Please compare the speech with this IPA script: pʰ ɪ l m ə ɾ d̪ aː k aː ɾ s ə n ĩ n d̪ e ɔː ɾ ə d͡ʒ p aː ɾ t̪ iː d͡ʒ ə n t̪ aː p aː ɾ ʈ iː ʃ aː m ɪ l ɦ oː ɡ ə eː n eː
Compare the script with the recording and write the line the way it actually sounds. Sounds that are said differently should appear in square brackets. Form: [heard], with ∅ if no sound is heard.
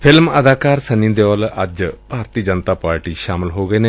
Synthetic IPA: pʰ ɪ l m ə [∅] d̪ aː k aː ɾ s ə n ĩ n d̪ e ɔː [l] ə d͡ʒ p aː ɾ t̪ iː d͡ʒ ə n t̪ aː p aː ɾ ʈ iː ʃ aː m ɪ l ɦ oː ɡ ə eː n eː